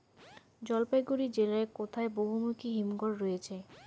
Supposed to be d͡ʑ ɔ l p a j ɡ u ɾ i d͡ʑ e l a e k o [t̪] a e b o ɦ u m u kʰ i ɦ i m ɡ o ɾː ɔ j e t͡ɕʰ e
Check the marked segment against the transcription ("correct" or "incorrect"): incorrect